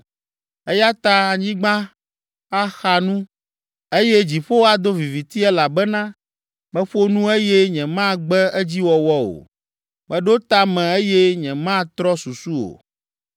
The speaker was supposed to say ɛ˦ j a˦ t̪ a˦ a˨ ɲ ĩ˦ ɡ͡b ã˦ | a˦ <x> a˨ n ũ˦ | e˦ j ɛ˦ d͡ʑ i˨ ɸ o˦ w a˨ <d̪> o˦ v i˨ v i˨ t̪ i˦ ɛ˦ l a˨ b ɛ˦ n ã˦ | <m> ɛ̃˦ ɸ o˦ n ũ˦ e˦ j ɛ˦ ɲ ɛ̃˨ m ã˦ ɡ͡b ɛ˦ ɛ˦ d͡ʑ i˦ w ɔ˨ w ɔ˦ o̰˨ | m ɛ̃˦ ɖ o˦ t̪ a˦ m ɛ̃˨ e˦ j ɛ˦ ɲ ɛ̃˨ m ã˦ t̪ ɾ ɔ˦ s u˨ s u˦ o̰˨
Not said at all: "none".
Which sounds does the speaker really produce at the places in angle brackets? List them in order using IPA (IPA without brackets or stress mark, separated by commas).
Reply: x, d̪, m